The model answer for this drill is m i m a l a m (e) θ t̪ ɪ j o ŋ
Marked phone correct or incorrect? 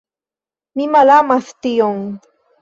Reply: incorrect